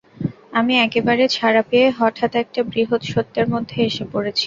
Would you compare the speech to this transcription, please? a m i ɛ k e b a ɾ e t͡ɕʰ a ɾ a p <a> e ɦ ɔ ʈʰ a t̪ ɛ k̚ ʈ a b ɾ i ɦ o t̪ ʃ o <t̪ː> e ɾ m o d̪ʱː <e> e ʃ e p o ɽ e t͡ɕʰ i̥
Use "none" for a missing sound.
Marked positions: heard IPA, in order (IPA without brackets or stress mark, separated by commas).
e, t̪ː, e